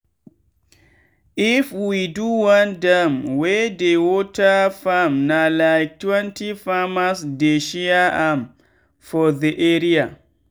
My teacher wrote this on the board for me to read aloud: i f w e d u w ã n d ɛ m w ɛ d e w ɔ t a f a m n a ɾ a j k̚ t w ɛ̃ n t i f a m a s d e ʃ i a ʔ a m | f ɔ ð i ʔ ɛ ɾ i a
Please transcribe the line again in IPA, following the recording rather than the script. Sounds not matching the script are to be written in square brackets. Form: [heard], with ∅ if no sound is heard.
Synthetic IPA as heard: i f w [i] d u w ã n d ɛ m w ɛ d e w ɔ t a f a m n a [l] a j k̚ t w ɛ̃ n t i f a m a s d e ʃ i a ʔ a m | f ɔ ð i ʔ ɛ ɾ i a